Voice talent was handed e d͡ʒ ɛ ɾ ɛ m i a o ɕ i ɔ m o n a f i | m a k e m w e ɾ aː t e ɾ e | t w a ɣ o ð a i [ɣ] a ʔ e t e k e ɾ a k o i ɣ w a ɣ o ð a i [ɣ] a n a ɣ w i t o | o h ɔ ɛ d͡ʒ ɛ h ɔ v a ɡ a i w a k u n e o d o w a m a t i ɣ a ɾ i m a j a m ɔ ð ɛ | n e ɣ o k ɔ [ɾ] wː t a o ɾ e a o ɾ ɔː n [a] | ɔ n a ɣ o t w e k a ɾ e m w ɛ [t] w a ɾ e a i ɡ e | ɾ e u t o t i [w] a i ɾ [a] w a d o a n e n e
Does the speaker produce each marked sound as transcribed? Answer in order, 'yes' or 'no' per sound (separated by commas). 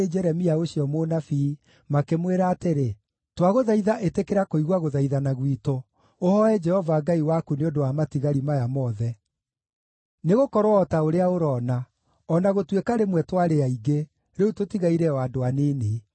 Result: no, no, yes, yes, yes, no, no